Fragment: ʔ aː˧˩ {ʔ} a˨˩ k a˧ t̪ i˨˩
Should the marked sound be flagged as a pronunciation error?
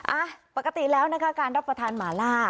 yes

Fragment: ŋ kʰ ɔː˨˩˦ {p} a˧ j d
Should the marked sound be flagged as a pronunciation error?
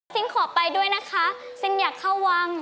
no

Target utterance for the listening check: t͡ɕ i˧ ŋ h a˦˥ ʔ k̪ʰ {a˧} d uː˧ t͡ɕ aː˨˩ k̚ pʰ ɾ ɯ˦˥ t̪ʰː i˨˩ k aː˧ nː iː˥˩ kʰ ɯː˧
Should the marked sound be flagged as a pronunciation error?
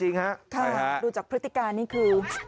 yes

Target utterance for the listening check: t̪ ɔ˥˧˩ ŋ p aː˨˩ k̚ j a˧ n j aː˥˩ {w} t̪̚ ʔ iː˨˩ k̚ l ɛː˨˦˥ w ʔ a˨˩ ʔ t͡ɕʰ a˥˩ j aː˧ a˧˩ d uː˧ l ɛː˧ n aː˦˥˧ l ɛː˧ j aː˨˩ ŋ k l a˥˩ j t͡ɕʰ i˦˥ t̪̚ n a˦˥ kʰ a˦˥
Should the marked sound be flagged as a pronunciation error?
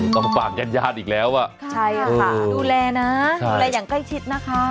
yes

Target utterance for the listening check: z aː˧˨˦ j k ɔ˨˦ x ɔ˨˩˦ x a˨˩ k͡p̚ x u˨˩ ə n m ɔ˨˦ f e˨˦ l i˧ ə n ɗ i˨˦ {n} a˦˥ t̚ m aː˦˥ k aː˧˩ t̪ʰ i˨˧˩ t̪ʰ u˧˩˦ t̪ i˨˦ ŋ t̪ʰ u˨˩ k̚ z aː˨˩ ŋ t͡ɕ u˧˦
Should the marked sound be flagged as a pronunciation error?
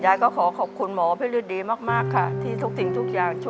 yes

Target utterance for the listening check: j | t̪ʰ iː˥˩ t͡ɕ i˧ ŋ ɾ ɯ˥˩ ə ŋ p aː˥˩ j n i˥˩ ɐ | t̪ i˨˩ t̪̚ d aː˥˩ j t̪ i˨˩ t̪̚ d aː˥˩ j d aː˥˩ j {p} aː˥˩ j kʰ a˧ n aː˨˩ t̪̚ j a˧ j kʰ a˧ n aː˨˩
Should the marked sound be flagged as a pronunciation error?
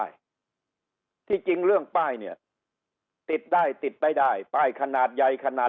no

